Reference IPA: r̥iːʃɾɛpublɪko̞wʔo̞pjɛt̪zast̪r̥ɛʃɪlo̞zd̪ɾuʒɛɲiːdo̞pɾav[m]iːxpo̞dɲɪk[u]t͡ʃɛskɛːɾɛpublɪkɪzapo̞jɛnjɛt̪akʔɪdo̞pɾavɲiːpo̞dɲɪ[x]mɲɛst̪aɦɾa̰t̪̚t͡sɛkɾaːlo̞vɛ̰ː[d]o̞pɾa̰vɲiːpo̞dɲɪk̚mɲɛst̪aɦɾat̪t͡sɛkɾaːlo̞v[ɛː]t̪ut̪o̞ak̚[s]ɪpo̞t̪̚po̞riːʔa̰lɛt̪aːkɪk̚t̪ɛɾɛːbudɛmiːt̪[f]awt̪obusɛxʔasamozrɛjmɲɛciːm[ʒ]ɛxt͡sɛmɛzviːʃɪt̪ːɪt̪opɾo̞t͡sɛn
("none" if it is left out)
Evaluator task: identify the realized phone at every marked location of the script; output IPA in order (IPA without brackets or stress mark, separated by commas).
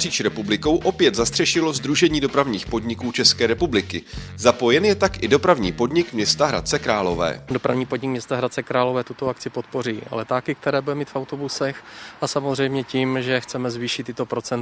ɲ, uː, k, d, ɛː, t͡s, f, ʒ